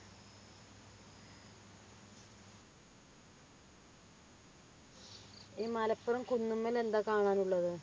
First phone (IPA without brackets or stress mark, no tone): iː